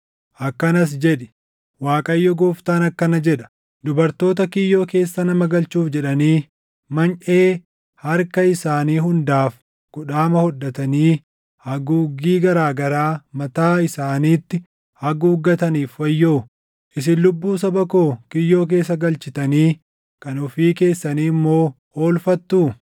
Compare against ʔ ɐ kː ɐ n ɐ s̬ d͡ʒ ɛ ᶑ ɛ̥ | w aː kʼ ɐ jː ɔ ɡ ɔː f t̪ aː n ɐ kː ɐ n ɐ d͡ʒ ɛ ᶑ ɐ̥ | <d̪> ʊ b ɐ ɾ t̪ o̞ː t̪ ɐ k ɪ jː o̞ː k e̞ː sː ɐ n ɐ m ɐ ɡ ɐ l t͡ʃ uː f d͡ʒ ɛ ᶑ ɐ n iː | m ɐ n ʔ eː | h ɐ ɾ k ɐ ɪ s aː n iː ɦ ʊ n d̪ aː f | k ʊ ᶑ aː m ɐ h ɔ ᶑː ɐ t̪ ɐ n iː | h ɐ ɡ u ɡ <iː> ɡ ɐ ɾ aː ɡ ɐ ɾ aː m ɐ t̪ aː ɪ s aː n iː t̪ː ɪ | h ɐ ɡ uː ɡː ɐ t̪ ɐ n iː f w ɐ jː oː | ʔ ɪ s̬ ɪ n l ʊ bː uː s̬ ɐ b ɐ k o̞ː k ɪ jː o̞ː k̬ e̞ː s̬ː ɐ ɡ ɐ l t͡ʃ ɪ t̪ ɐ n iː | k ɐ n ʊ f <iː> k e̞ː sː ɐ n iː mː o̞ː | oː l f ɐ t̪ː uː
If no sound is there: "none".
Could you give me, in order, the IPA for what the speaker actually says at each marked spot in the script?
d̪, iː, iː

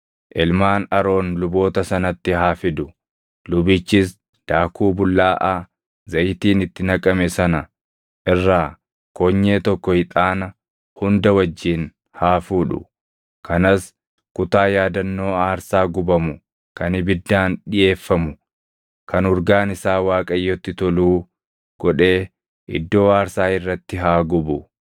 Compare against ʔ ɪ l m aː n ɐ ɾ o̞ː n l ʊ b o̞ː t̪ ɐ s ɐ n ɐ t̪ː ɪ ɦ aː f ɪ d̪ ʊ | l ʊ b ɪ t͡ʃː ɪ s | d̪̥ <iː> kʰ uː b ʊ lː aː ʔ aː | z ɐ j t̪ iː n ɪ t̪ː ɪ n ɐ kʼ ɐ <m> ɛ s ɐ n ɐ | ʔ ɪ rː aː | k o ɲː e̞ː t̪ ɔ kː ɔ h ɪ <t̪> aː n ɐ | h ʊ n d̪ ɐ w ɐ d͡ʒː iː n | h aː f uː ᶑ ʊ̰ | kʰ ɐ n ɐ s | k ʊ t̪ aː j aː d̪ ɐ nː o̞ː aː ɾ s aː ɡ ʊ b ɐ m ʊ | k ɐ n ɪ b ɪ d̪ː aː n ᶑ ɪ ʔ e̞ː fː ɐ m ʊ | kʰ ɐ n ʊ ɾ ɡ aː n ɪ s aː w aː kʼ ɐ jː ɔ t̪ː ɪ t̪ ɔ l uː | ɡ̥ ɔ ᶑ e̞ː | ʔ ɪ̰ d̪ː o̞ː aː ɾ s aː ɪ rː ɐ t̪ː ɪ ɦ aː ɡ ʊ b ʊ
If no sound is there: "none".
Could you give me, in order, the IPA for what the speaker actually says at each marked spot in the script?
aː, m, t̪ʼ

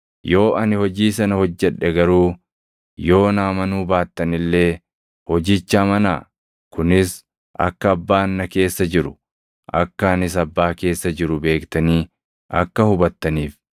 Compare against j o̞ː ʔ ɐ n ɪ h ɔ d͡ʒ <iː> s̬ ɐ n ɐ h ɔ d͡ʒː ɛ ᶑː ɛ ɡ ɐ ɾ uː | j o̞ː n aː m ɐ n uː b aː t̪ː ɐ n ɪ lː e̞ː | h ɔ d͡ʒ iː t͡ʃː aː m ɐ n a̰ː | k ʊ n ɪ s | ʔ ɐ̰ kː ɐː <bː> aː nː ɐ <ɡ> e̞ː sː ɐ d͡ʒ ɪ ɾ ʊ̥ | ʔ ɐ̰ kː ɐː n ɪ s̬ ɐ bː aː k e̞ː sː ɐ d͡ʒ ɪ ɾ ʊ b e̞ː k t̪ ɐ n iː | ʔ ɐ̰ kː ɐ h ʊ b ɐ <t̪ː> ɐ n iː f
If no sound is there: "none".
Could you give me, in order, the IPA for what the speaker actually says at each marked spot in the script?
iː, bː, k, t̪ː

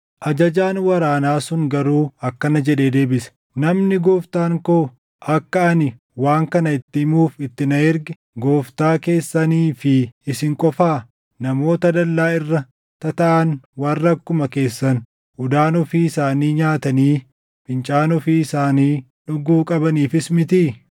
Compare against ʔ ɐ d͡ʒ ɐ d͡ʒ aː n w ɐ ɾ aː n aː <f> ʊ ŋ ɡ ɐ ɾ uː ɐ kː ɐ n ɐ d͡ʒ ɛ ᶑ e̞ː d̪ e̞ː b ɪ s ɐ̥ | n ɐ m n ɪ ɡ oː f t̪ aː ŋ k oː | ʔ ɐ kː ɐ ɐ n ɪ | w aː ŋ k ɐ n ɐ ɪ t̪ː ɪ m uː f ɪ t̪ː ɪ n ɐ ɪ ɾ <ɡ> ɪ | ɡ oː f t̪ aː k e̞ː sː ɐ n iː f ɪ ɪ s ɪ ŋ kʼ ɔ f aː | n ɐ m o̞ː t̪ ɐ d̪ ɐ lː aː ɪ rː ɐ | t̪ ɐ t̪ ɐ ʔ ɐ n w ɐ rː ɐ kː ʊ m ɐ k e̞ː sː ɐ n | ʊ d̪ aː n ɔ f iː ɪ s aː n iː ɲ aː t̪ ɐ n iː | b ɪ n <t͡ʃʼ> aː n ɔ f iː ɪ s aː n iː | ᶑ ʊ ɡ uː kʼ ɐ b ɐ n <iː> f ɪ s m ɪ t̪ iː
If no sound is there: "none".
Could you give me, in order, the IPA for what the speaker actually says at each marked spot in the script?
s, ɡ, t͡ʃʼ, iː

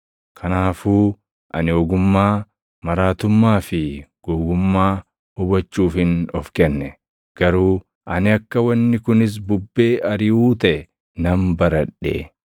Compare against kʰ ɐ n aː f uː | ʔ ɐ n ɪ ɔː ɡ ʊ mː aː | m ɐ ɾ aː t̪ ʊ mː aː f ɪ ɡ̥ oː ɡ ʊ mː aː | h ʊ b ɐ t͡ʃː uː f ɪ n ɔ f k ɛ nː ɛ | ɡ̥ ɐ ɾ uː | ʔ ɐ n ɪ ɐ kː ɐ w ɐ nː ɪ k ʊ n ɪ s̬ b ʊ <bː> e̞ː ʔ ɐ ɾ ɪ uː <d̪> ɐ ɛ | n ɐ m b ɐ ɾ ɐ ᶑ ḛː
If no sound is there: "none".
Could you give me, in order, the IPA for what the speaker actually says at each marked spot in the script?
bː, t̪

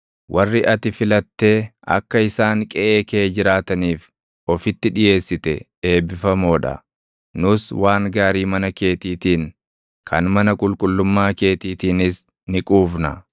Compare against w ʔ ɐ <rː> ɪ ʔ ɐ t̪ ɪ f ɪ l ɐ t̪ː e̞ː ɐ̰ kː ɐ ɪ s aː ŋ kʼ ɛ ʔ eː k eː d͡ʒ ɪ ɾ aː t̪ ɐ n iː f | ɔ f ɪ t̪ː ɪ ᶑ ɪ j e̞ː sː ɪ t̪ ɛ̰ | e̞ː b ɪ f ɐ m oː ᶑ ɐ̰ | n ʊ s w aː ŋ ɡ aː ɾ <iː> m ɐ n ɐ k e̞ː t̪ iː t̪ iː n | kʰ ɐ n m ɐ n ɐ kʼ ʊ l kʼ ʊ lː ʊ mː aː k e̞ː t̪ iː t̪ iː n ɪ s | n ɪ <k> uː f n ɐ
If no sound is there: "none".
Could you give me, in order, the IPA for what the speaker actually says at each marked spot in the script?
rː, iː, kʼ

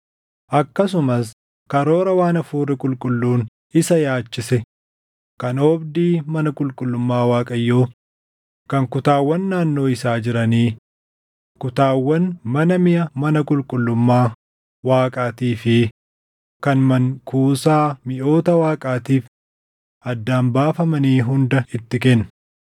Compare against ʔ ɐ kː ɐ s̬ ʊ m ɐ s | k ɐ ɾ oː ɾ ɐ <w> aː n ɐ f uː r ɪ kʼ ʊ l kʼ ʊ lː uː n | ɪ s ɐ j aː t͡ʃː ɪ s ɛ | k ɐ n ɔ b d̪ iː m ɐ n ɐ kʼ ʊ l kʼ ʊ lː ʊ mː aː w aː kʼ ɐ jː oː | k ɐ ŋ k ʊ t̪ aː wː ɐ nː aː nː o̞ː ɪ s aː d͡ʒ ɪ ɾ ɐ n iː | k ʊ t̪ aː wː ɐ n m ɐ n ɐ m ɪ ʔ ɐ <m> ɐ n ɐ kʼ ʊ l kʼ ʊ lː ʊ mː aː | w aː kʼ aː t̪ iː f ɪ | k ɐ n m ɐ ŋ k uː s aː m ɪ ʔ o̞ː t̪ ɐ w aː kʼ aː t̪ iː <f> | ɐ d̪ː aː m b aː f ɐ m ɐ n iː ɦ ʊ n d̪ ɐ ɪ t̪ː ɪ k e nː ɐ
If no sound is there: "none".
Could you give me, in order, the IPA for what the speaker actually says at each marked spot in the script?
w, m, f

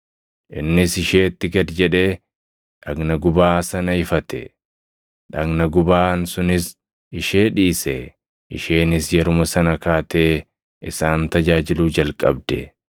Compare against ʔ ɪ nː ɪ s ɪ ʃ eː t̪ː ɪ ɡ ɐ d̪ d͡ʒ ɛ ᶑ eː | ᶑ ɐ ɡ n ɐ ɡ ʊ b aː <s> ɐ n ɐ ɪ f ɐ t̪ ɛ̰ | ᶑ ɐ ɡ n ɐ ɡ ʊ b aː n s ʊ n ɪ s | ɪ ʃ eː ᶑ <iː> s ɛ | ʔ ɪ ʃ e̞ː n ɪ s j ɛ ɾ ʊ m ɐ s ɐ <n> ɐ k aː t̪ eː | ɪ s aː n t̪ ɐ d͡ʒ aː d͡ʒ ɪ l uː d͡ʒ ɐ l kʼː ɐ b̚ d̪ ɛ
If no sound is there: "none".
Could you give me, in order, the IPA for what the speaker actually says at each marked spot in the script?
s, iː, n

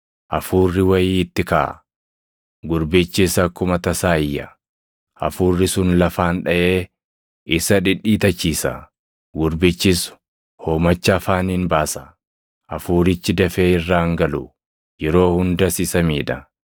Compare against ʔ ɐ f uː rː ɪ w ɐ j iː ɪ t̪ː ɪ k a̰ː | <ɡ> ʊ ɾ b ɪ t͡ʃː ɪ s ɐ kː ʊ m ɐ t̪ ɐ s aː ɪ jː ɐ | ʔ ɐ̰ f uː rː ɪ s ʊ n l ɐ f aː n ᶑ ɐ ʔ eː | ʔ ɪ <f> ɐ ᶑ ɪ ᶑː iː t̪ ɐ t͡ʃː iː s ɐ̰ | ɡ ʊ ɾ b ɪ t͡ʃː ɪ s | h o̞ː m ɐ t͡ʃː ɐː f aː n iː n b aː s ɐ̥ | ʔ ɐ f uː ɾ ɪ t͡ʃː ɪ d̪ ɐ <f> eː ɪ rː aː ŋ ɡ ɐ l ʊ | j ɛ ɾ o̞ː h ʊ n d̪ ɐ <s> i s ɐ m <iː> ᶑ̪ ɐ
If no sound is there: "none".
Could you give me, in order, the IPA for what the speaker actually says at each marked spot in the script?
ɡ, s, f, s, iː

